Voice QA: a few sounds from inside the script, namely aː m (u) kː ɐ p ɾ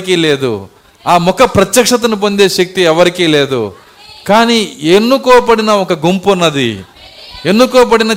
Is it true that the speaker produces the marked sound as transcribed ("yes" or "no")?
no